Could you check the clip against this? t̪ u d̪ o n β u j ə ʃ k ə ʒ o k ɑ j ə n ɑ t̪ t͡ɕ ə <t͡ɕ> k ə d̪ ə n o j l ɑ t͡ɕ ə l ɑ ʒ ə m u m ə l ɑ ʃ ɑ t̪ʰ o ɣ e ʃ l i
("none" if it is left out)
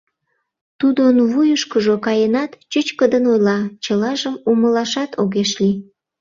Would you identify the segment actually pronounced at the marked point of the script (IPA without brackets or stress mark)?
t͡ɕ